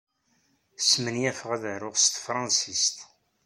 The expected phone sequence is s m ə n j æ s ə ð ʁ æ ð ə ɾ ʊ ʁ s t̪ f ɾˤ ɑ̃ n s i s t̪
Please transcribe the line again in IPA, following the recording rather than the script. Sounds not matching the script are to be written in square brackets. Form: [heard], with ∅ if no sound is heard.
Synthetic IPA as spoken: s m ə n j æ [f] ə [∅] ʁ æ ð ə ɾ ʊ ʁ s t̪ f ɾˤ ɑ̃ n s i s t̪